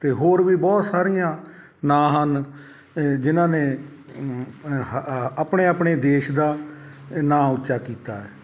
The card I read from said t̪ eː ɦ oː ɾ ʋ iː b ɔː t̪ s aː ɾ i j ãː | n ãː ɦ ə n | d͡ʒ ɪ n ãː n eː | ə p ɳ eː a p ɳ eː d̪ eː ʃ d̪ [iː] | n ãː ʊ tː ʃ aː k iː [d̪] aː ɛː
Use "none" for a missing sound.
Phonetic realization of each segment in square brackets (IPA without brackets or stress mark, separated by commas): aː, t̪